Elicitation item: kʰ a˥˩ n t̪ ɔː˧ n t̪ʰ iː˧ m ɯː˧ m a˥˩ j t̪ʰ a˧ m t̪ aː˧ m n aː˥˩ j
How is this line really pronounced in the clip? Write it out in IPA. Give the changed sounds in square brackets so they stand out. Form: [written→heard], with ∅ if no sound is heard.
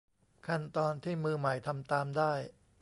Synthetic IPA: kʰ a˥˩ n t̪ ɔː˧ n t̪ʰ [iː˧→iː˥˩] m ɯː˧ m [a˥˩→a˨˩] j t̪ʰ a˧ m t̪ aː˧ m [n→d] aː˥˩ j